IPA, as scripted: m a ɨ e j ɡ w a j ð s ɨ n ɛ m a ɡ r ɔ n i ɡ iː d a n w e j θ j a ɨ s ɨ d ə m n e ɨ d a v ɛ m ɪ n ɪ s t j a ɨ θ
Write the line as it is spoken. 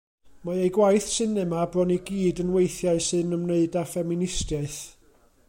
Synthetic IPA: m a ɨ e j ɡ w a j θ s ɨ n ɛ m a b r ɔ n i ɡ iː d ə n w e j θ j a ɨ s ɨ n ə m n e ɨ d a f ɛ m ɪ n ɪ s t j a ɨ θ